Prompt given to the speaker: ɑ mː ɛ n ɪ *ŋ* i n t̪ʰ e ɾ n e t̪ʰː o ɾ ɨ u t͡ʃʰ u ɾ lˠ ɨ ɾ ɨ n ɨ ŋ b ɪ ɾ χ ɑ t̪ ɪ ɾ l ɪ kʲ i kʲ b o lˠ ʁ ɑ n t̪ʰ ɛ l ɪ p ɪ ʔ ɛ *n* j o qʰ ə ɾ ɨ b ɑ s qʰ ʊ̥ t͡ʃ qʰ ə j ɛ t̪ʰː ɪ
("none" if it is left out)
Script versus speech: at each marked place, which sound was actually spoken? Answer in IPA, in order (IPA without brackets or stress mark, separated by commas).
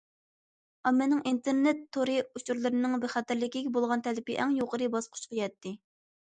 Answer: ŋ, ŋ